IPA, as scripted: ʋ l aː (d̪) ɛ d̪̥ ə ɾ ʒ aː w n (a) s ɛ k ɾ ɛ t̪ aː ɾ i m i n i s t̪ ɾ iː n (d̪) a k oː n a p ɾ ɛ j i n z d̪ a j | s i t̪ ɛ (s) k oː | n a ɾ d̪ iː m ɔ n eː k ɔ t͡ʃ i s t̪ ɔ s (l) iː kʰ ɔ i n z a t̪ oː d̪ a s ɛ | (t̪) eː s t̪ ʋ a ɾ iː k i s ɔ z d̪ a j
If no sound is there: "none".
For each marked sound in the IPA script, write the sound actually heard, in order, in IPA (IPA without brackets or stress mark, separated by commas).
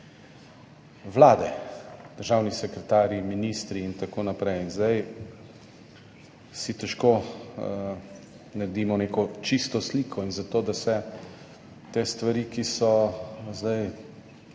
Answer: d̪, i, t̪, ʃ, l, t̪